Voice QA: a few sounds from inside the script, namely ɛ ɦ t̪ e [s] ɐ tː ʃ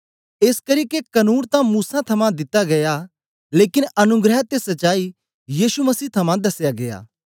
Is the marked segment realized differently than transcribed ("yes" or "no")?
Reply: no